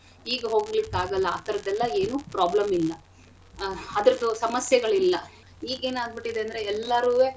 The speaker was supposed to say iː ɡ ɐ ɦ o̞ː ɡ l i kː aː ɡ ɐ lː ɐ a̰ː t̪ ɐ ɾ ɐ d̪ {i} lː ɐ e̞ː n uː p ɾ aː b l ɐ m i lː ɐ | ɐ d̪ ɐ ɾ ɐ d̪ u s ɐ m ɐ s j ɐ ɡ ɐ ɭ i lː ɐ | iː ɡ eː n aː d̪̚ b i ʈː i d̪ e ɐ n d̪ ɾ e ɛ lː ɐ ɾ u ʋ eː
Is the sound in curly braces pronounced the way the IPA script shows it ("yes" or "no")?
no